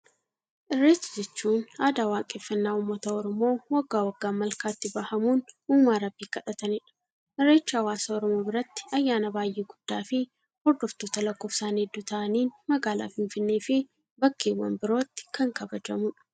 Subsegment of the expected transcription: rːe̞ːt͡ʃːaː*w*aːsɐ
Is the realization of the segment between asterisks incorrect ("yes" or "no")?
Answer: no